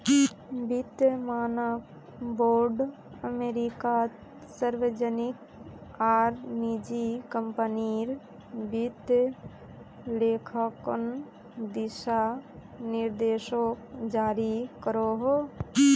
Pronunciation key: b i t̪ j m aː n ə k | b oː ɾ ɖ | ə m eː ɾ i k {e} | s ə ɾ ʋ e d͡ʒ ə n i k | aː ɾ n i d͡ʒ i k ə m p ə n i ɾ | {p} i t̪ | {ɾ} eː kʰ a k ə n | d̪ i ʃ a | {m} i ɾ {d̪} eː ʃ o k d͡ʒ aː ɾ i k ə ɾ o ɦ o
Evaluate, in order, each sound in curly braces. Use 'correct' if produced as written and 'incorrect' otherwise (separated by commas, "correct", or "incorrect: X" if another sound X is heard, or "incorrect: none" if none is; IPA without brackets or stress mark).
incorrect: a, incorrect: b, incorrect: l, incorrect: n, correct